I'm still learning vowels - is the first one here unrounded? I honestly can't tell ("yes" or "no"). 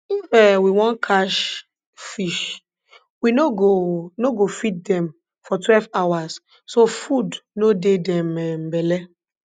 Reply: yes